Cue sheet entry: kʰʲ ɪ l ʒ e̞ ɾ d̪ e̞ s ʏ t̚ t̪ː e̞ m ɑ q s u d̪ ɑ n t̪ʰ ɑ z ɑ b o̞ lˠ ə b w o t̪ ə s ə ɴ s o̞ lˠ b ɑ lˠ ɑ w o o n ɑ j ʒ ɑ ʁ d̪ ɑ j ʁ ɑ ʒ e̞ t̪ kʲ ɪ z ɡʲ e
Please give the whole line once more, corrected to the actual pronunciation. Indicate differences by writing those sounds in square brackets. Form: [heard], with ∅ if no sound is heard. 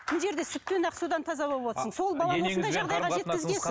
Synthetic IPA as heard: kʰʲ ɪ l ʒ e̞ ɾ d̪ e̞ s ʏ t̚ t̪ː e̞ [n] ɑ q s u d̪ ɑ n t̪ʰ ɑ z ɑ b o̞ lˠ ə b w o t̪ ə s ə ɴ s o̞ lˠ b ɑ lˠ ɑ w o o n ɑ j ʒ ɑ ʁ d̪ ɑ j ʁ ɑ ʒ e̞ t̪ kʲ ɪ z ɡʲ e